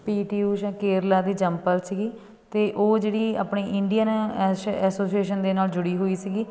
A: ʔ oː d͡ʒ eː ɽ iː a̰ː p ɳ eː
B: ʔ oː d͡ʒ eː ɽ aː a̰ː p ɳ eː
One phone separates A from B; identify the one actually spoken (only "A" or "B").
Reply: A